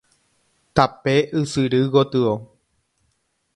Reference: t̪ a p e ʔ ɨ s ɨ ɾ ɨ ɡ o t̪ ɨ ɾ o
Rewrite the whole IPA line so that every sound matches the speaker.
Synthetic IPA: t̪ a p e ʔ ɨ s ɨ ɾ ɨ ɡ o t̪ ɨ o